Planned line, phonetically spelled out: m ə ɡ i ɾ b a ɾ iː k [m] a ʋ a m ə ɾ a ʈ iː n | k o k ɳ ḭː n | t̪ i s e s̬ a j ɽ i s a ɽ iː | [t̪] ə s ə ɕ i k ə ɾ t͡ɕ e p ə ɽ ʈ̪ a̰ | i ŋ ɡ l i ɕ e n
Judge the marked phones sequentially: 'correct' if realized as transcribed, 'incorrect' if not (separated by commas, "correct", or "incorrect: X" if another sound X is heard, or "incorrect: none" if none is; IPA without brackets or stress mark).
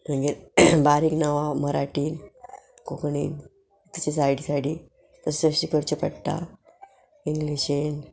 incorrect: n, correct